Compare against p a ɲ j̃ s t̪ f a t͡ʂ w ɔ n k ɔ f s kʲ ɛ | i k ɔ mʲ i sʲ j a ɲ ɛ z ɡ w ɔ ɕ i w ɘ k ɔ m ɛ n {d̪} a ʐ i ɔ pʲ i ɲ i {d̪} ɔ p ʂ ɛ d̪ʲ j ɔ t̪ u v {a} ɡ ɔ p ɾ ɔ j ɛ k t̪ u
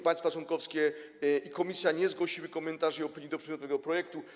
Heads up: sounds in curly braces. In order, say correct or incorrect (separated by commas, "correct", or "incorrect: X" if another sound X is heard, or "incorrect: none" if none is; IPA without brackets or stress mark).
incorrect: t̪, correct, incorrect: ɛ